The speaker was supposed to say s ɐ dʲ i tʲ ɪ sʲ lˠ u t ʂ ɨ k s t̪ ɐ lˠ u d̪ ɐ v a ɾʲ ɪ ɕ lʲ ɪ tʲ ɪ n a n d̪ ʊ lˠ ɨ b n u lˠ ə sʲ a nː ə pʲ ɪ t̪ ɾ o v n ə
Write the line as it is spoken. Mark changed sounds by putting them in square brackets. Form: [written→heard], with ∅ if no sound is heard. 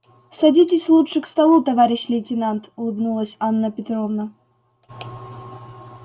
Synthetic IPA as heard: s ɐ dʲ i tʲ ɪ sʲ lˠ u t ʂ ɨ k s t̪ ɐ lˠ u [d̪→t̪] ɐ v a ɾʲ ɪ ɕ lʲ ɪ tʲ ɪ n a n [d̪→t̪] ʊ lˠ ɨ b n u lˠ ə sʲ a nː ə pʲ ɪ t̪ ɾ o v n ə